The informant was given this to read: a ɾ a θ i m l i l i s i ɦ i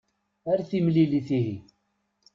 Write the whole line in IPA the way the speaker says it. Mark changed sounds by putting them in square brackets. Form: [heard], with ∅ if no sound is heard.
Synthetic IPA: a ɾ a θ i m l i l i [θ] i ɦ i